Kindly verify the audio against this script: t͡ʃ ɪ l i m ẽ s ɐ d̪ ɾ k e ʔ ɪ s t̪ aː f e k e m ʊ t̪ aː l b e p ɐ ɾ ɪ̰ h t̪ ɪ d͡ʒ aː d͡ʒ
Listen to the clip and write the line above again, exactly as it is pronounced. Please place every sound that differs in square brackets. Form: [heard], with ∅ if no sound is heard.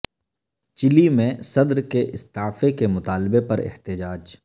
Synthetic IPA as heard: t͡ʃ ɪ l i m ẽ s ɐ d̪ ɾ k e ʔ ɪ s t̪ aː f e k e m ʊ t̪ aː l b e p ɐ ɾ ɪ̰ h t̪ ɪ d͡ʒ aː d͡ʒ